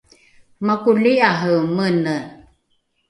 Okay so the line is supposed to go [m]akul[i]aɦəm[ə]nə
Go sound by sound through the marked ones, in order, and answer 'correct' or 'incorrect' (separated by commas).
correct, correct, correct